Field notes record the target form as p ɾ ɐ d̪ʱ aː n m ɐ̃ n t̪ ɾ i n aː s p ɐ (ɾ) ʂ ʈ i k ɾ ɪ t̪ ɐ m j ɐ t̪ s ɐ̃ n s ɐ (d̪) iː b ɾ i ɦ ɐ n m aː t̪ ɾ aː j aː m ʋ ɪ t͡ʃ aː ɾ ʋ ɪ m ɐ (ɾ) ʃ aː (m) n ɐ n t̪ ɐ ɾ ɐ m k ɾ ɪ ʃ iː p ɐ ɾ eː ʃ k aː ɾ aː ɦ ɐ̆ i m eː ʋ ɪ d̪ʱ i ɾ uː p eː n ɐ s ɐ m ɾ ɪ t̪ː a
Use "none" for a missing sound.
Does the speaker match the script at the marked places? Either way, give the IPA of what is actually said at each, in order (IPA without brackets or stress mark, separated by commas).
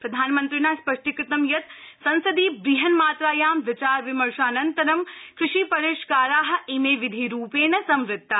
none, d̪, ɾ, none